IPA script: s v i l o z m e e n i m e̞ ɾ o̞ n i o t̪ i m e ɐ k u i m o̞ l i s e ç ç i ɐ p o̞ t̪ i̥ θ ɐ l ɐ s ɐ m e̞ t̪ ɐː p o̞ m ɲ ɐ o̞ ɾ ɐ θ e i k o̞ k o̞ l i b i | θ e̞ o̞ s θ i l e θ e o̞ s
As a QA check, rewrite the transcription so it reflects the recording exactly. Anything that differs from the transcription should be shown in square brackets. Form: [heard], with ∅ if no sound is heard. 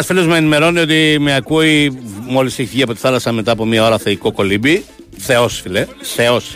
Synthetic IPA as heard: s [f] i l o z m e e n i m e̞ ɾ o̞ n i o t̪ i m e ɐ k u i m o̞ l i s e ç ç i ɐ p o̞ t̪ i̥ θ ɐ l ɐ s ɐ m e̞ t̪ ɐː p o̞ m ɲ ɐ o̞ ɾ ɐ θ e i k o̞ k o̞ l i b i | θ e̞ o̞ s [f] i l e θ e o̞ s